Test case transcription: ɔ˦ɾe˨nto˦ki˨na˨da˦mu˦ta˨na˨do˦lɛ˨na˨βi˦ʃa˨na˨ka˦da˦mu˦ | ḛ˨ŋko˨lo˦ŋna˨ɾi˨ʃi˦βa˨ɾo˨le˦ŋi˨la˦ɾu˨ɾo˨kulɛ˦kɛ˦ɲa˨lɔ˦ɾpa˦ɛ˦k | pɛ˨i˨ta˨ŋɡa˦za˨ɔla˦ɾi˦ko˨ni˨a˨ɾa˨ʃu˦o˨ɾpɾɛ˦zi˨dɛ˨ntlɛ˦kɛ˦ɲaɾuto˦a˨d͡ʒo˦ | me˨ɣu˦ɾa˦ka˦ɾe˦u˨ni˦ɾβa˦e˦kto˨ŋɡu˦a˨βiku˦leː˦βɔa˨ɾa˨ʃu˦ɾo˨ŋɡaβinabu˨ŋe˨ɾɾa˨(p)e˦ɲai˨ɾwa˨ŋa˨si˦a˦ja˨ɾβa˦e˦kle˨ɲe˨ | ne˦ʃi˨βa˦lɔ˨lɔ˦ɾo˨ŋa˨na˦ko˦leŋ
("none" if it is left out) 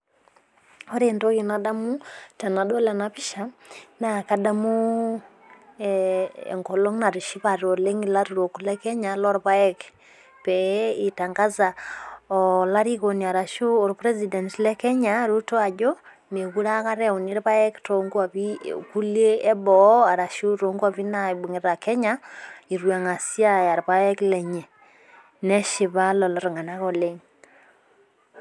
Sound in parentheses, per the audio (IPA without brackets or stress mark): k